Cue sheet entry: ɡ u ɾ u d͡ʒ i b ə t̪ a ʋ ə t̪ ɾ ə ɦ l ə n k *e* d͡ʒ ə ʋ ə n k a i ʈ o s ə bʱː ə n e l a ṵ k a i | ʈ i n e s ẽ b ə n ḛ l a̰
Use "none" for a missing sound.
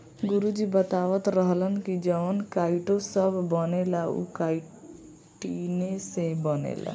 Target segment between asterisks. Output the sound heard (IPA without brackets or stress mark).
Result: i